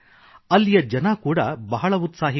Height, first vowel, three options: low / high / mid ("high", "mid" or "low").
low